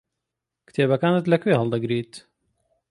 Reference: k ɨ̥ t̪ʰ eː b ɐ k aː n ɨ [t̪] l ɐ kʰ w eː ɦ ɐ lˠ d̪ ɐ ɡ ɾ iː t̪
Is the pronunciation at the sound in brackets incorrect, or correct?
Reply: correct